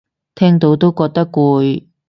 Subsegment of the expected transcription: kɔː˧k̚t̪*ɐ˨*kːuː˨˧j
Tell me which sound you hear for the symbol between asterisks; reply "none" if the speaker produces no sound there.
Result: ɐ˥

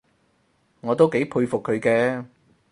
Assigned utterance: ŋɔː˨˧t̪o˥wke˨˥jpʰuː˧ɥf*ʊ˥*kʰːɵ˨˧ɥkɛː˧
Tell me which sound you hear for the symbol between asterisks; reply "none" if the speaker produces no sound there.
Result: ʊ˨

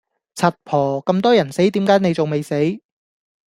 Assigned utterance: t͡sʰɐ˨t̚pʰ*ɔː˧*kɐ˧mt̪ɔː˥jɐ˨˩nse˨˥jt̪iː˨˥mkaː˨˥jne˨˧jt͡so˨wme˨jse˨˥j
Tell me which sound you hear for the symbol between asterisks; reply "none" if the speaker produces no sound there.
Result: ɔː˨˩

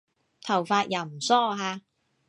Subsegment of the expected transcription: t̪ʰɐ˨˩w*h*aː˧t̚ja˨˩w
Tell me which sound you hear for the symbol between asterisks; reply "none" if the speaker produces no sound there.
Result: f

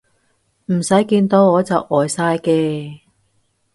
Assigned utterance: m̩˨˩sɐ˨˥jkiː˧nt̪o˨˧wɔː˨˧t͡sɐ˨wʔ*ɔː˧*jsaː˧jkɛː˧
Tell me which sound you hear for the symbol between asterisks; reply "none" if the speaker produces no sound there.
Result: ɔː˨˩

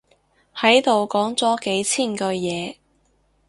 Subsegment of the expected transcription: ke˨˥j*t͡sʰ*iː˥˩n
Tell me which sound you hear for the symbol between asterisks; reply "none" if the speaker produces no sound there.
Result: t͡sʰ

